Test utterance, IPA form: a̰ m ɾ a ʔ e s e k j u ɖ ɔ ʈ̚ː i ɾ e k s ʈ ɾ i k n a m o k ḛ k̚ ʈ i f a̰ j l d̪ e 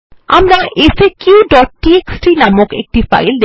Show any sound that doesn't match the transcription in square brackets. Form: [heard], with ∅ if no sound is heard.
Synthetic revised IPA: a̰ m ɾ a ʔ e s e k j u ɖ ɔ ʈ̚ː i [∅] e k s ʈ ɾ i [∅] n a m o k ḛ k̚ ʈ i f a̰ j l d̪ e

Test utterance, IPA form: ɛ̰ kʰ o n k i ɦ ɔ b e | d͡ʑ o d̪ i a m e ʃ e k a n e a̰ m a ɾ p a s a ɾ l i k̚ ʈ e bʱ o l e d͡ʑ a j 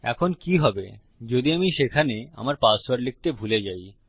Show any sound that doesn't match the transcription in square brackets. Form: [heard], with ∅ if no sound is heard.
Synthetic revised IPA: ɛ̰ kʰ o n k i ɦ ɔ b e | d͡ʑ o d̪ i a m [i] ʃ e [kʰ] a n e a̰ m a ɾ p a s a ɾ l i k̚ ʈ e bʱ [u] l e d͡ʑ a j

